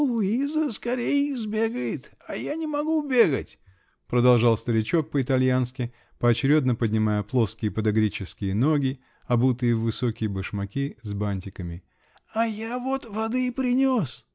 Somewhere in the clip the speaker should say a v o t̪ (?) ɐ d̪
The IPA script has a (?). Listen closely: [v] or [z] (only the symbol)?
v